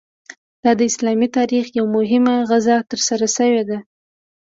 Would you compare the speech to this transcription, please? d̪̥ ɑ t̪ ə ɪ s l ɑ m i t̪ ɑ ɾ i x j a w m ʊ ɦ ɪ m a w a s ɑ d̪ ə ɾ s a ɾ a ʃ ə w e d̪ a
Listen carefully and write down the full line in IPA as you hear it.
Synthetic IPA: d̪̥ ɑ d̪ ə ɪ s l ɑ m i t̪ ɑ ɾ i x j a w m ʊ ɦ ɪ m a ɣ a z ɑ t̪ ə ɾ s a ɾ a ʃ ə w e d̪ a